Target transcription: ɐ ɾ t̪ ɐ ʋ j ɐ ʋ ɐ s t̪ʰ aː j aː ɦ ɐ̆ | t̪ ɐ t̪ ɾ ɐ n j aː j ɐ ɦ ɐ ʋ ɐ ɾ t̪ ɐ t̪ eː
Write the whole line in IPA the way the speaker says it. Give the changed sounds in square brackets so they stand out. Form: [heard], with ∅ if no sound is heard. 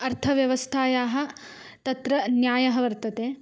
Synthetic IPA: ɐ ɾ [t̪ʰ] ɐ ʋ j ɐ ʋ ɐ s t̪ʰ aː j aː ɦ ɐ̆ | t̪ ɐ t̪ ɾ ɐ n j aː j ɐ ɦ ɐ ʋ ɐ ɾ t̪ ɐ t̪ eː